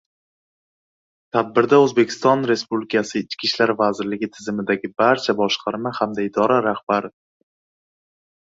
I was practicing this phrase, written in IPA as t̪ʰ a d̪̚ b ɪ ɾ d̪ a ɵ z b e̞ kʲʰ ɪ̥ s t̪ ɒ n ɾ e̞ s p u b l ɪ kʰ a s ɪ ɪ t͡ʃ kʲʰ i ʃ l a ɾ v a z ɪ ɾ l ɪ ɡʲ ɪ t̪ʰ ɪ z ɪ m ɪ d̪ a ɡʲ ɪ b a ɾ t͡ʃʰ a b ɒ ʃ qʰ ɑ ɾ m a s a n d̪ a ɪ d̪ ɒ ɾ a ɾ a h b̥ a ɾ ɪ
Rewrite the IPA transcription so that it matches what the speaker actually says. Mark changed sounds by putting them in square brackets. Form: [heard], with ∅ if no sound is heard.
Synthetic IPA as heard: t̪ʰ a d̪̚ b ɪ ɾ d̪ a ɵ z b e̞ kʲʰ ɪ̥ s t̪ ɒ n ɾ e̞ s p u b l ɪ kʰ a s ɪ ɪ t͡ʃ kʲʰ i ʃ l a ɾ v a z ɪ ɾ l ɪ ɡʲ ɪ t̪ʰ ɪ z ɪ m ɪ d̪ a ɡʲ ɪ b a ɾ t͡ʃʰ a b ɒ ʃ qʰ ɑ ɾ m a [h] a [m] d̪ a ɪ d̪ ɒ ɾ a ɾ a h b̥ a ɾ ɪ

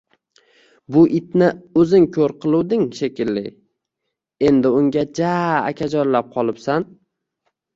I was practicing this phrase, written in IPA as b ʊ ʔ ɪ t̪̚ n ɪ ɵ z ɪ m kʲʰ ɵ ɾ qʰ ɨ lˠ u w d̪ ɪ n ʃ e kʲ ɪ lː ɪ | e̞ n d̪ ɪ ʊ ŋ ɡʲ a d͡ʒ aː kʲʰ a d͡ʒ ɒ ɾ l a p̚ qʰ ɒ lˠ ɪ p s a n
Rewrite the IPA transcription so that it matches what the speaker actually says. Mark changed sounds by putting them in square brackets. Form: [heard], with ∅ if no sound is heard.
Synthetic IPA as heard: b ʊ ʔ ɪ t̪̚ n ɪ ɵ z ɪ [ŋ] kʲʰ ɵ ɾ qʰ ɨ lˠ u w d̪ ɪ [ŋ] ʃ e kʲ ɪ lː ɪ | e̞ n d̪ ɪ ʊ ŋ ɡʲ a d͡ʒ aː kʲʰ a d͡ʒ ɒ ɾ l a p̚ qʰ ɒ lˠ ɪ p s a n

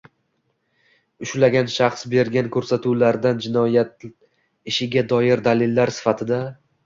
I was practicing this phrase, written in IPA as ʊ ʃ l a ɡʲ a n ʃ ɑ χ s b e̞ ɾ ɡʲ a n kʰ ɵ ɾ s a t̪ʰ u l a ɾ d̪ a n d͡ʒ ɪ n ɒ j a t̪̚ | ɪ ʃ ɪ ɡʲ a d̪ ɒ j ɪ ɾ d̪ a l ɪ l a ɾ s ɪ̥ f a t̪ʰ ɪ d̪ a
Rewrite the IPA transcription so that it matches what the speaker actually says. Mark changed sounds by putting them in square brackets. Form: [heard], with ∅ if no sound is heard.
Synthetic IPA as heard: ʊ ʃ l a ɡʲ a n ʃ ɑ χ s b e̞ ɾ ɡʲ a n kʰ ɵ ɾ s a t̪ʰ u l a ɾ d̪ a n d͡ʒ ɪ n ɒ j a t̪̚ | ɪ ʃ ɪ ɡʲ a d̪ ɒ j ɪ ɾ d̪ a l ɪ [lː] a ɾ s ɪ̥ f a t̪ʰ ɪ d̪ a

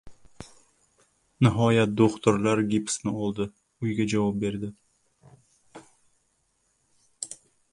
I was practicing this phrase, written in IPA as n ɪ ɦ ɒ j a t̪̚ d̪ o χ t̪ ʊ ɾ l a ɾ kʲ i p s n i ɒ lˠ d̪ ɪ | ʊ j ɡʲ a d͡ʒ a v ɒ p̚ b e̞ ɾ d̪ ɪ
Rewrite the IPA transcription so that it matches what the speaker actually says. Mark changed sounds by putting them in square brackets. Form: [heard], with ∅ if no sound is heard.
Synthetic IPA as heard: n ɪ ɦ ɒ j a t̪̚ d̪ o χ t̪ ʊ ɾ l a ɾ [ɡʲ] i p s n [ɪ] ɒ lˠ d̪ ɪ | ʊ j ɡʲ a d͡ʒ a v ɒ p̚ b e̞ ɾ d̪ ɪ

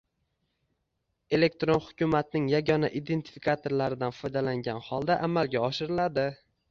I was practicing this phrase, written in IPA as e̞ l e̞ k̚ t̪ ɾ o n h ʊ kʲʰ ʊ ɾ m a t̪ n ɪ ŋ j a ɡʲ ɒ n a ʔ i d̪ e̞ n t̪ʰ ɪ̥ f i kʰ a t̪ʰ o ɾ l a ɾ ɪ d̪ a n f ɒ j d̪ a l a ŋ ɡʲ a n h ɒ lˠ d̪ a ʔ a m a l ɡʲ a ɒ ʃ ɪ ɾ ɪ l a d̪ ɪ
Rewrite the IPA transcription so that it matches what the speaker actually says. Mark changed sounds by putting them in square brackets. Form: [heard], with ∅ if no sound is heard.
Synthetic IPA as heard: e̞ l e̞ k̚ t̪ ɾ o n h ʊ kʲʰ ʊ [∅] m a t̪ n ɪ ŋ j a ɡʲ ɒ n a ʔ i d̪ e̞ n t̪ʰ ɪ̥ f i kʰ a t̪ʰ o ɾ l a ɾ ɪ d̪ a n f ɒ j d̪ a l a ŋ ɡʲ a n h ɒ lˠ d̪ a ʔ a m a l ɡʲ a ɒ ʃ ɪ ɾ ɪ l a d̪ ɪ

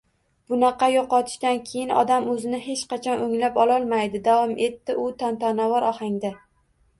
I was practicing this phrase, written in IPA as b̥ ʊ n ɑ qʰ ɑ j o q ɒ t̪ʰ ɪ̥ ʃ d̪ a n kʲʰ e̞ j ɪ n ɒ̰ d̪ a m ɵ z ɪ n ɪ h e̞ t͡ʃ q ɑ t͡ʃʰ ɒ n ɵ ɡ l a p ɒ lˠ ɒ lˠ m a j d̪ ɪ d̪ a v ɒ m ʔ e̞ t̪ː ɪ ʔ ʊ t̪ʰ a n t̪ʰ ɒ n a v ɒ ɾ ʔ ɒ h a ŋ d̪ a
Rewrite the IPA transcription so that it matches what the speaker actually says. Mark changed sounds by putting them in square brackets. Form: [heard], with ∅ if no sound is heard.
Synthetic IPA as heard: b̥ ʊ n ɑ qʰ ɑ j o q ɒ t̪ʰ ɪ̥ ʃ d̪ a n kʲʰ e̞ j ɪ n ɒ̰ d̪ a m ɵ z ɪ n ɪ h e̞ t͡ʃ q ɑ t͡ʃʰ ɒ n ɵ [ŋ] l a p ɒ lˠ ɒ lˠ m a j d̪ ɪ d̪ a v ɒ m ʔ e̞ t̪ː ɪ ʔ ʊ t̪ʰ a n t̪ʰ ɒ n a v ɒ ɾ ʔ ɒ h a ŋ d̪ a

